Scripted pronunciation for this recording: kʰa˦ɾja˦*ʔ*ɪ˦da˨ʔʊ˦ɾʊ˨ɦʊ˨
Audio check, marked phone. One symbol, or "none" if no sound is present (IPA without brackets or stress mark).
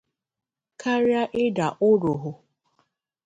ʔ